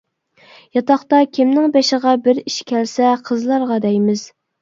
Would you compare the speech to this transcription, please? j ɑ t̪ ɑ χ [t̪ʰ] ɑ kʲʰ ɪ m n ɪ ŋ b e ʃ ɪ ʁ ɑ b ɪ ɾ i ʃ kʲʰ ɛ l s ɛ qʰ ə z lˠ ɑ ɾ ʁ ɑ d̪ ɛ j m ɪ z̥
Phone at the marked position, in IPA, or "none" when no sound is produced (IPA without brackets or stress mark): t̪